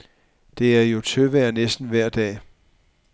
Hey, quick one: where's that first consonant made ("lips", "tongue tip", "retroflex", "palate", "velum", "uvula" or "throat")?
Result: tongue tip